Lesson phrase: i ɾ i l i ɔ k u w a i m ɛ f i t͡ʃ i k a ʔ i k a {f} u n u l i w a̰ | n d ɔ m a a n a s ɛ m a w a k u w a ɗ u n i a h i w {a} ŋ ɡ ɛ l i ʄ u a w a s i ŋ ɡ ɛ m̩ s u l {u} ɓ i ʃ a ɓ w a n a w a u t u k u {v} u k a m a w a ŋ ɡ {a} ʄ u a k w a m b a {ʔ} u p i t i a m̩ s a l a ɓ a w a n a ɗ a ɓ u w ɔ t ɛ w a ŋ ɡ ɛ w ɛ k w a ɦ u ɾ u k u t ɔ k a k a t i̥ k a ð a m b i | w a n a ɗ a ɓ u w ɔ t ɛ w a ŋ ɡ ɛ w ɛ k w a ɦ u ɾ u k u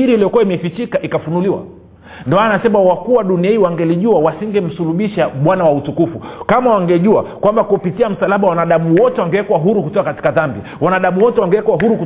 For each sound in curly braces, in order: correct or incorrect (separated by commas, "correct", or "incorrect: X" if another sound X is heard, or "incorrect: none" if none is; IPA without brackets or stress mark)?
correct, correct, correct, incorrect: f, incorrect: ɛ, incorrect: k